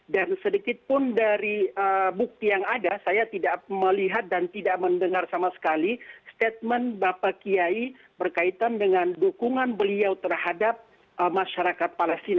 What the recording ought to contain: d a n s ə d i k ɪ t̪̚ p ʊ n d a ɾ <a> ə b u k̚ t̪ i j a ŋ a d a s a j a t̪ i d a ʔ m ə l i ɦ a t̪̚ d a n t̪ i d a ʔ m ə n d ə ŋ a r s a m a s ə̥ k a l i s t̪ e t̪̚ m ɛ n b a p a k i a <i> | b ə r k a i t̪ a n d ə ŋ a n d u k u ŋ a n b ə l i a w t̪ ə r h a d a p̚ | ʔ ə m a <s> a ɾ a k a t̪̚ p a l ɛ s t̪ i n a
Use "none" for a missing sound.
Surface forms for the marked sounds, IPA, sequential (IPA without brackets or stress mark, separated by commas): i, i, ʃ